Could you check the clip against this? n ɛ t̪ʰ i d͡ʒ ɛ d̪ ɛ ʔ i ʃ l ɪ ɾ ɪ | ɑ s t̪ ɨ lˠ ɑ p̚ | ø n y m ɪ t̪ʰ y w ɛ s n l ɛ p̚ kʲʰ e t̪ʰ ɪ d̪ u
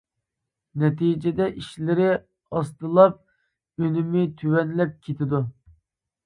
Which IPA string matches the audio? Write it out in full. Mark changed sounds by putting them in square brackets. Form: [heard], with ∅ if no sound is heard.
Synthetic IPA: n ɛ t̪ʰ i d͡ʒ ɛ d̪ ɛ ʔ i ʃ l ɪ ɾ ɪ | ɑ s t̪ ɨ lˠ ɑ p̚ | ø n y m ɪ t̪ʰ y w ɛ [∅] n l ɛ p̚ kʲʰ e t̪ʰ ɪ d̪ u